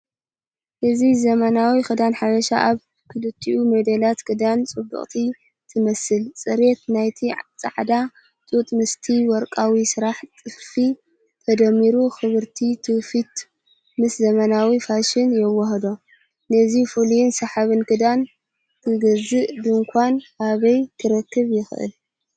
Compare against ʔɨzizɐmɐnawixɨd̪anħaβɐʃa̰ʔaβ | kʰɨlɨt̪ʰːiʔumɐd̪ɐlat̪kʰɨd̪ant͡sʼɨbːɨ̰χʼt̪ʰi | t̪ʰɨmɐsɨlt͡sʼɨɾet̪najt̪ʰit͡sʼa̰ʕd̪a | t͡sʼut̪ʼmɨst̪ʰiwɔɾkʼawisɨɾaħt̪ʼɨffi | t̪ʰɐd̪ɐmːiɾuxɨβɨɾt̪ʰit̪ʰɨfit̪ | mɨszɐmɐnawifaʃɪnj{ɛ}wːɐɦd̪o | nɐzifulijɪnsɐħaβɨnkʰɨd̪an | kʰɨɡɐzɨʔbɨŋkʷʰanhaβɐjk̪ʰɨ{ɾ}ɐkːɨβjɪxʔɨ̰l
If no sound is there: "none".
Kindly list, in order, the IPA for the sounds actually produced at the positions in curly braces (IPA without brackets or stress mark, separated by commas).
ɛ, ɾ